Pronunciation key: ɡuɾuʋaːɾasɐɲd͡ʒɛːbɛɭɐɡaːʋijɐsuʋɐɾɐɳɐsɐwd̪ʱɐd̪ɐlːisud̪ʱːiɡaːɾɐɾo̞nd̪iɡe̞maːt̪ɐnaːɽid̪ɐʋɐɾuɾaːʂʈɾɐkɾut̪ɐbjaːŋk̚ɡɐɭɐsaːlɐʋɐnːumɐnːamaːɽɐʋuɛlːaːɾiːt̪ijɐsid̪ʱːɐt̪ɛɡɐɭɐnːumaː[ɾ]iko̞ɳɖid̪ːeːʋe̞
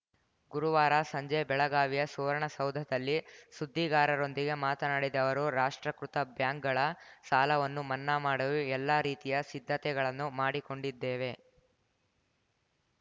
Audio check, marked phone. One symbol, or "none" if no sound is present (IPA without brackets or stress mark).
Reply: ɽ